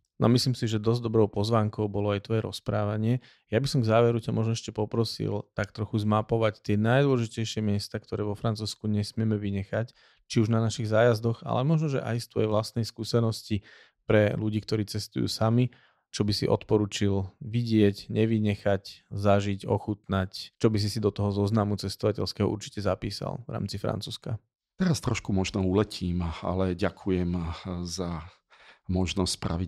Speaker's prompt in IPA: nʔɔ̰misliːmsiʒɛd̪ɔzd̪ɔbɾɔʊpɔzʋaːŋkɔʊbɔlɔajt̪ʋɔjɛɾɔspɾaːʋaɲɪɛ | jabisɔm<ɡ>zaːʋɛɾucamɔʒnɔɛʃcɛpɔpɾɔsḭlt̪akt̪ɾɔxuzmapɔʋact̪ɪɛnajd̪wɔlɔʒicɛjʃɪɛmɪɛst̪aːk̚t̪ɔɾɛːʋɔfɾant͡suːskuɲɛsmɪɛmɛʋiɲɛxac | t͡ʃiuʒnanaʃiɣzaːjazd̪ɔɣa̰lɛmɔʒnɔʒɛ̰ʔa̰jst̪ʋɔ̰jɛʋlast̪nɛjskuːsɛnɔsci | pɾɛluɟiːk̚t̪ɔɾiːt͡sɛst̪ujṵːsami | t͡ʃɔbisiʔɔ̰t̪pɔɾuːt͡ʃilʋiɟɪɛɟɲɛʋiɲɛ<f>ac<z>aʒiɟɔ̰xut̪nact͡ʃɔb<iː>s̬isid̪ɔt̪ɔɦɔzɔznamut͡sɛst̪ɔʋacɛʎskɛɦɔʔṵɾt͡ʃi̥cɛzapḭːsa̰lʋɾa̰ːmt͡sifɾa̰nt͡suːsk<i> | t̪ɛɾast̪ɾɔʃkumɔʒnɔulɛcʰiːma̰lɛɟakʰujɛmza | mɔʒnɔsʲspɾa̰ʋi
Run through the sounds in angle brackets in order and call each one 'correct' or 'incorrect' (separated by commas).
correct, incorrect, correct, incorrect, incorrect